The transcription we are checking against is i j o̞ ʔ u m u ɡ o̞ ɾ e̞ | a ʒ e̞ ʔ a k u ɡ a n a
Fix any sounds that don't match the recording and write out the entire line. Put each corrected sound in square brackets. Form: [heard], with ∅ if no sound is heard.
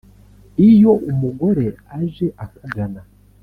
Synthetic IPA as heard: i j o̞ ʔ u m u ɡ o̞ ɾ e̞ | a ʒ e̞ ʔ a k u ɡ a n a